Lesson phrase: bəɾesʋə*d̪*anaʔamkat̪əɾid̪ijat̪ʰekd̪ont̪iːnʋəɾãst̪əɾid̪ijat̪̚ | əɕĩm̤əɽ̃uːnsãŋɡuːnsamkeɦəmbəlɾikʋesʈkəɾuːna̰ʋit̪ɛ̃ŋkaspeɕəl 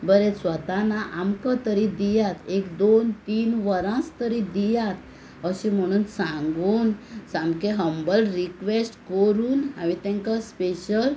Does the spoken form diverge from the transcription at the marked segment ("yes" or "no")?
yes